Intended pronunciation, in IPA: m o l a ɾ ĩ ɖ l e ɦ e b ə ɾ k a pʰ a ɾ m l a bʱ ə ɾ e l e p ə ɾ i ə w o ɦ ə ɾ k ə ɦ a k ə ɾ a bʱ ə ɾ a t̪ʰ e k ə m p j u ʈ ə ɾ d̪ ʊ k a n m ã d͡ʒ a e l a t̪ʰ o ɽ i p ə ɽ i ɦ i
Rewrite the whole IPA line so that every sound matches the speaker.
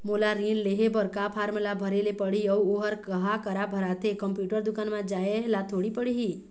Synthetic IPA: m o l a ɾ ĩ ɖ l e ɦ e b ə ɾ k a pʰ a ɾ m l a bʱ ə ɾ e l e p ə ɽ i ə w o ɦ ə ɾ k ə ɦ a k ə ɾ a bʱ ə ɾ a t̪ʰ e k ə m p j u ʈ ə ɾ d̪ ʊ k a n m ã d͡ʒ a e l a t̪ʰ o ɽ i p ə ɽ i ɦ i